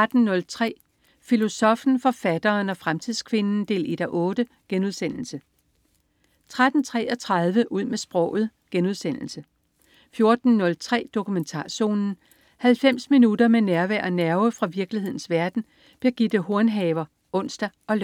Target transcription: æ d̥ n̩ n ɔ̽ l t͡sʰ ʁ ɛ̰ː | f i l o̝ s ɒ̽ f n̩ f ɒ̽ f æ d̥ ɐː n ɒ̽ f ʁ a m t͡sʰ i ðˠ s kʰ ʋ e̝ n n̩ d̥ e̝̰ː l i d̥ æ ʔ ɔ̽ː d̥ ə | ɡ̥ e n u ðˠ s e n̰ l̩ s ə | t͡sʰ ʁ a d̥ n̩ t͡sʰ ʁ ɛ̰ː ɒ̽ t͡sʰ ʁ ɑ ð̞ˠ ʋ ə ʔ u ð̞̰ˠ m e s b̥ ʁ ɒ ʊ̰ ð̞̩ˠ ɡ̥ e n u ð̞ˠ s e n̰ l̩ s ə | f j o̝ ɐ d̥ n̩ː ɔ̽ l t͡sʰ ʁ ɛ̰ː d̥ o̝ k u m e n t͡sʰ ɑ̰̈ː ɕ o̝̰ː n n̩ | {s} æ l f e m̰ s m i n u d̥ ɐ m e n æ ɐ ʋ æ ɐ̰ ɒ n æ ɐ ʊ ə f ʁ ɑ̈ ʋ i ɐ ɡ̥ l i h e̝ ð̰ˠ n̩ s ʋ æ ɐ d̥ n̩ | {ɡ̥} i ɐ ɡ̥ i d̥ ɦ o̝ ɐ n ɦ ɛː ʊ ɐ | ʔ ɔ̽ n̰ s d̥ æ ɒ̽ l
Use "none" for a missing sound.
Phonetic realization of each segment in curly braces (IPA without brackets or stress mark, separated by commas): h, b̥